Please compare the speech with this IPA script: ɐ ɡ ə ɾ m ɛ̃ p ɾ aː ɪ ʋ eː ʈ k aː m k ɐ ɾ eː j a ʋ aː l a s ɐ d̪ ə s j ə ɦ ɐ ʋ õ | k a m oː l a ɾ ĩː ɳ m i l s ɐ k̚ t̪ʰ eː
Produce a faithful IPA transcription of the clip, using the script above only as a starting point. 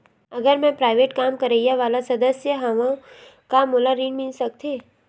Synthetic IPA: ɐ ɡ ə ɾ m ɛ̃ p ɾ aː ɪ ʋ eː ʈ k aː m k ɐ ɾ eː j a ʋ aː l a s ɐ d̪ ə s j ə ɦ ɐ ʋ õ | k a m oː l a ɾ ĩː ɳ m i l s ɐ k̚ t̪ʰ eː